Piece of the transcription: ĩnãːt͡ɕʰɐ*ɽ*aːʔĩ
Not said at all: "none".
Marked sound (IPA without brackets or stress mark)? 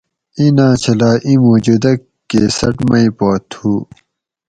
l